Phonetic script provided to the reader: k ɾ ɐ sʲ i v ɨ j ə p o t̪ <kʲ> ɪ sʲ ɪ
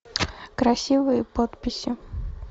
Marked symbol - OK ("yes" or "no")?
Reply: no